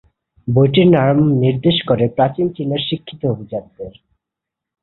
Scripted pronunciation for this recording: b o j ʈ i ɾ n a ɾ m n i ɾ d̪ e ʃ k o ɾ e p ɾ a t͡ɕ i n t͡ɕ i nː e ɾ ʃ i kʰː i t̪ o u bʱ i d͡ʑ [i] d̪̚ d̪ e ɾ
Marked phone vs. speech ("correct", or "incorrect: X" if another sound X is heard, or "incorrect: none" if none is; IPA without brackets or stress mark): incorrect: a